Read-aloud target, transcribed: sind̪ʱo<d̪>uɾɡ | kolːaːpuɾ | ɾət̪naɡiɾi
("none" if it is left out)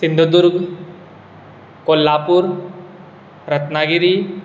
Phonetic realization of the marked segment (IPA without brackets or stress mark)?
d̪